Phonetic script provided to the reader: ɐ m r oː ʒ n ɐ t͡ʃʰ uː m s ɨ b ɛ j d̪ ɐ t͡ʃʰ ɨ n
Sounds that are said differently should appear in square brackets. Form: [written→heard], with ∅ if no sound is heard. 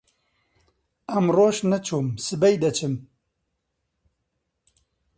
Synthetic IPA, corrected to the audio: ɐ m r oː [ʒ→ʃ] n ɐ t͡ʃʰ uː m s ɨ b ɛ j d̪ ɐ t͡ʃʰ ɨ [n→m]